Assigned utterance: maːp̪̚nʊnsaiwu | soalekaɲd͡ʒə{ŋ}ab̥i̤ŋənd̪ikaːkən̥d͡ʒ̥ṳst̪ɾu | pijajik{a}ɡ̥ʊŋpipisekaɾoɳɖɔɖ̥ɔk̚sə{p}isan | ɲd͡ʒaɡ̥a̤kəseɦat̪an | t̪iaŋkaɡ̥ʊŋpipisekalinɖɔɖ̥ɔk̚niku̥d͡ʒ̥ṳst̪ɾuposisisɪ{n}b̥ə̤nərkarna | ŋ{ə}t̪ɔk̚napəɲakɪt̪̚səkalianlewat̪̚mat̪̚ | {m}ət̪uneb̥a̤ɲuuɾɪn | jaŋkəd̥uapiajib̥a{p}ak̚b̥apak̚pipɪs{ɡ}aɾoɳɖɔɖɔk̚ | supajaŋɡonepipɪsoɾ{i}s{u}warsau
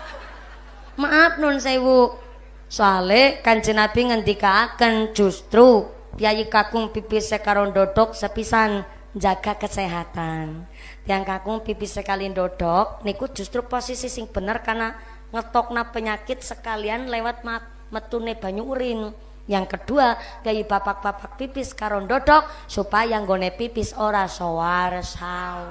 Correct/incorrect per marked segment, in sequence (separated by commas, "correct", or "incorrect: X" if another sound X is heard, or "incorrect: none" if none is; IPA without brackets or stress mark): incorrect: n, correct, correct, incorrect: ŋ, correct, correct, correct, incorrect: k, incorrect: a, incorrect: o